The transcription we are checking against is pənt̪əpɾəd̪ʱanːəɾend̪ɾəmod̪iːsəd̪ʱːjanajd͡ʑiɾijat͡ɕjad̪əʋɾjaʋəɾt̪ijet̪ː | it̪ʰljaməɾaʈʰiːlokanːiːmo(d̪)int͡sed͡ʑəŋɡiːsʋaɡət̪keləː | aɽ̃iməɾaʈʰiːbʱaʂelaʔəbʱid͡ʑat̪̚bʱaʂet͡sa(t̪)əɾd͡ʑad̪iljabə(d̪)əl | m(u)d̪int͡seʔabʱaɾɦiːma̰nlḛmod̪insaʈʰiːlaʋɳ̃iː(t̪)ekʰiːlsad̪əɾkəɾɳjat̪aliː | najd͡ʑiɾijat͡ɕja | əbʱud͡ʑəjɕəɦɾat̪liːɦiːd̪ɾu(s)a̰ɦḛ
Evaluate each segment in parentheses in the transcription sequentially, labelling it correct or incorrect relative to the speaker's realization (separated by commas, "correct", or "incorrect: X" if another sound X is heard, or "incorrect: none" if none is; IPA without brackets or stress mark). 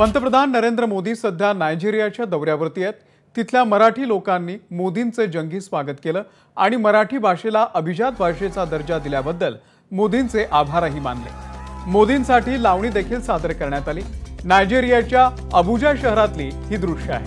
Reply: correct, incorrect: d̪, incorrect: d̪ː, incorrect: o, incorrect: d̪, incorrect: ʂ